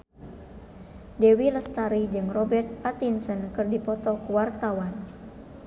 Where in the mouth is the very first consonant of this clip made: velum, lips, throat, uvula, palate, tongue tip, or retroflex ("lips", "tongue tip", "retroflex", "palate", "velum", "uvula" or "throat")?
tongue tip